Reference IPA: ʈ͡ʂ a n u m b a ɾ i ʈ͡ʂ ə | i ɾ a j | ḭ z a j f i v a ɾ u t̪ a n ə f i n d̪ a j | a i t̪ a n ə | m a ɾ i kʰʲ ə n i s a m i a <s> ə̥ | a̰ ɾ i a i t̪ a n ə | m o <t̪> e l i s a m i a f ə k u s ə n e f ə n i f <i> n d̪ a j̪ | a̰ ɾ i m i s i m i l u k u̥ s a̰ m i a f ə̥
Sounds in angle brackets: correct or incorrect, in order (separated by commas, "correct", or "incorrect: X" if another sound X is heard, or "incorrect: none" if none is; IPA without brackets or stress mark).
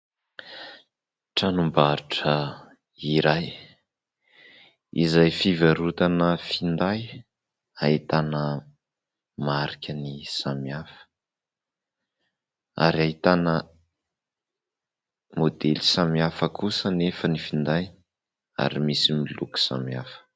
incorrect: f, incorrect: d̪, correct